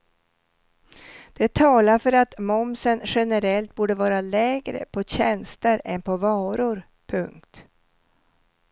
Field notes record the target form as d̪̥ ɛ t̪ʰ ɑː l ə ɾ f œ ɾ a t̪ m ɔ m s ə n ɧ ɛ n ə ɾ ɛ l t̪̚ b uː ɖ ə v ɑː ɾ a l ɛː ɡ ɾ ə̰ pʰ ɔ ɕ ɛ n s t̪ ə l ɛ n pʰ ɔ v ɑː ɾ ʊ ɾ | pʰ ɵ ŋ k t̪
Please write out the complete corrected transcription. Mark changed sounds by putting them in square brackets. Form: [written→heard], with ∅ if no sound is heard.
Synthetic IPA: d̪̥ ɛ t̪ʰ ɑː l [ə→a] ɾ f œ ɾ a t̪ m ɔ m s ə n ɧ ɛ n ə ɾ ɛ l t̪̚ b uː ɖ ə v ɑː ɾ a l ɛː ɡ ɾ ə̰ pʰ ɔ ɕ ɛ n s t̪ ə [l→ɾ] ɛ n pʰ ɔ v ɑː ɾ ʊ ɾ | pʰ ɵ ŋ k t̪